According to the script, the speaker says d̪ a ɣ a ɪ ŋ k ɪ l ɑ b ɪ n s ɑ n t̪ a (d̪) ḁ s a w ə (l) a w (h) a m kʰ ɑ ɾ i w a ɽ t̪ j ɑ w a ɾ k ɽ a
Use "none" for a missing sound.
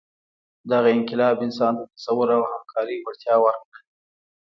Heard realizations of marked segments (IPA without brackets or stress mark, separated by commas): t̪, ɾ, h